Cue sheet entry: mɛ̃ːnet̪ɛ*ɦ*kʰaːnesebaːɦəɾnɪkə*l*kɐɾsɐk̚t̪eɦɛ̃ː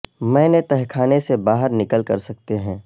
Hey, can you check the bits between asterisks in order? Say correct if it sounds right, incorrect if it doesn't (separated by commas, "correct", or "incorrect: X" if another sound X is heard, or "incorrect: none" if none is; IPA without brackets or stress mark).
correct, correct